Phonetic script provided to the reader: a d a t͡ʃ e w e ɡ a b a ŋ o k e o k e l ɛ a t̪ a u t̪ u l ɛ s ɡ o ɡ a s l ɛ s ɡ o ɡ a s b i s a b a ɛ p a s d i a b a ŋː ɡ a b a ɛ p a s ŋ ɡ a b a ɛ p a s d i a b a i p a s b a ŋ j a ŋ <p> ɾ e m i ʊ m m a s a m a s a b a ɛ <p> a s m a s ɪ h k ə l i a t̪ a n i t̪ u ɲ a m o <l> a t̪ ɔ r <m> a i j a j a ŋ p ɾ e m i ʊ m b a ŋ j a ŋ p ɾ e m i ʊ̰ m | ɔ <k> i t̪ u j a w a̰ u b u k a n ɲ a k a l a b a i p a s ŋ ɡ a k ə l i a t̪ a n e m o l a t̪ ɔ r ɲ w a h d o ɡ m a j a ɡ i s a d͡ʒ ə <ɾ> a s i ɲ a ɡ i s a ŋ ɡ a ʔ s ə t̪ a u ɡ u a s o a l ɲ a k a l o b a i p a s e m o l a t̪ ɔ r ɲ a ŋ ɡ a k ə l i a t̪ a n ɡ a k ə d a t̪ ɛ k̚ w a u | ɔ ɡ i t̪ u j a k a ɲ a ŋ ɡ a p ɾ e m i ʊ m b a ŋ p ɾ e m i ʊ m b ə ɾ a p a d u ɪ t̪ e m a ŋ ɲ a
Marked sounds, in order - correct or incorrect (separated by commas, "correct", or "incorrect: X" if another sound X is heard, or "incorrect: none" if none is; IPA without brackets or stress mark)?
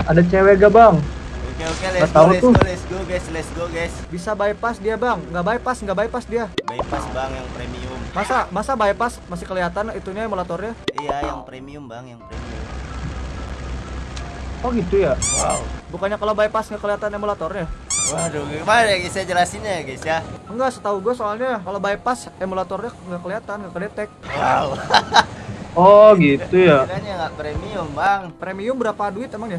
correct, correct, correct, incorrect: ɲ, incorrect: ɡ, incorrect: l